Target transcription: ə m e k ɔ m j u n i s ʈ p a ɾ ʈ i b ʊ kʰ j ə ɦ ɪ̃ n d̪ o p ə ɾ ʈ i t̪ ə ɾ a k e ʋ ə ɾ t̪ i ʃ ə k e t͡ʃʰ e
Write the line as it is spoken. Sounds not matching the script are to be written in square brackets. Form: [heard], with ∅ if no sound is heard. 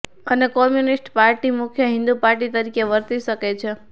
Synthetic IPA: ə [n] e k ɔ m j u n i s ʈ p a ɾ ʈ i [m] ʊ kʰ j ə ɦ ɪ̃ n d̪ [u] p [a] ɾ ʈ i t̪ ə ɾ [i] k e ʋ ə ɾ t̪ i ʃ ə k e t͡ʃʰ e